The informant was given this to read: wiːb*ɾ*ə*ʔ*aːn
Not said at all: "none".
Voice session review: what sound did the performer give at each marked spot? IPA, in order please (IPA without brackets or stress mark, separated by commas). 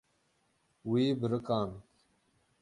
ɾ, k